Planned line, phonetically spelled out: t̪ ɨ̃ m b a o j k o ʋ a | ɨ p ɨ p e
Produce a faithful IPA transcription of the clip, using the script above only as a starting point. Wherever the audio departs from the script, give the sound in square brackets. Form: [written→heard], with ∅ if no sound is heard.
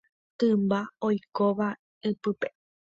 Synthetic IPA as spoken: t̪ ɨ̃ m b a o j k o ʋ a | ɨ p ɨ p e